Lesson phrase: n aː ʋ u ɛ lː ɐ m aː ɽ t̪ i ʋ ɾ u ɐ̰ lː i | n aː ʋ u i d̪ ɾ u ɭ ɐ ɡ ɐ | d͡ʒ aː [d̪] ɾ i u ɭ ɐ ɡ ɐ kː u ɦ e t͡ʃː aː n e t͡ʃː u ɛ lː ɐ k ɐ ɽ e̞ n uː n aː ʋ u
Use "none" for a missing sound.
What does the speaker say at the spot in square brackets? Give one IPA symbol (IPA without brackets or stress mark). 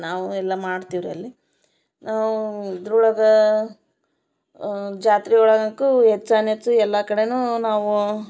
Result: t̪